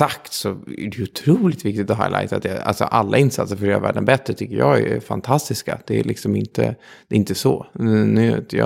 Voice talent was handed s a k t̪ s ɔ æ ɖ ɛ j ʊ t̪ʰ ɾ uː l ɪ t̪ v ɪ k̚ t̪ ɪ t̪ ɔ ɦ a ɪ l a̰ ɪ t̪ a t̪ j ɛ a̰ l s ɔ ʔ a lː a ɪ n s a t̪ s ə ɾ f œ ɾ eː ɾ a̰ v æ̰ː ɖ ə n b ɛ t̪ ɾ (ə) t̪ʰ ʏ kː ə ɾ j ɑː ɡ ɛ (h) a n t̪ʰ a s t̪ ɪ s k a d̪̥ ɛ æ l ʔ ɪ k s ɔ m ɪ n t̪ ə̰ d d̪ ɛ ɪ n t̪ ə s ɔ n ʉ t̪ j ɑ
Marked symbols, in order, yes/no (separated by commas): yes, no